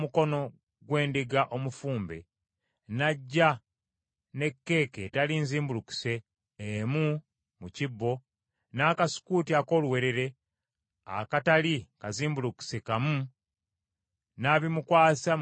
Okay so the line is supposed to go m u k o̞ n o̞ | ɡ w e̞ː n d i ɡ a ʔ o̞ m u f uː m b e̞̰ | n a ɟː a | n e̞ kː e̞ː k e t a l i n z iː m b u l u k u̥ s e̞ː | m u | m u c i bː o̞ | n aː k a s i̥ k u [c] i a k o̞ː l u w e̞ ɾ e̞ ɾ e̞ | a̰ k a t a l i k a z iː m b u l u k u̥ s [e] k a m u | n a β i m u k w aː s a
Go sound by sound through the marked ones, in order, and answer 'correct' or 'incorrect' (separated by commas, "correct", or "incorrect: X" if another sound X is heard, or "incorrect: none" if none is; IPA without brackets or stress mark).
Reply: incorrect: t, correct